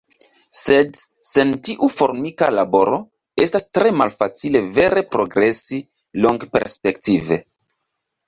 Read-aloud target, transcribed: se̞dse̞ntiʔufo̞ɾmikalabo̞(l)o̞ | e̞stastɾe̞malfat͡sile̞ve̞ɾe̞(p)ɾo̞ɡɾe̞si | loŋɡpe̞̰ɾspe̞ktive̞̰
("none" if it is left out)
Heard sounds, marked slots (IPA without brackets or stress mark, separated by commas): ɾ, p